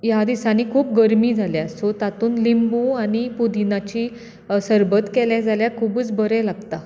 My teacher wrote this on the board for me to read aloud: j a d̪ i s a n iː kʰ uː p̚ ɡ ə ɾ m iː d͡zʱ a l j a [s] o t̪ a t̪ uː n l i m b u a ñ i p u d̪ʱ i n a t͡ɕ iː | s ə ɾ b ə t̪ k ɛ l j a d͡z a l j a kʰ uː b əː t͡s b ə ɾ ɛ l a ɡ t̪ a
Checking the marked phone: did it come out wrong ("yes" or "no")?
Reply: no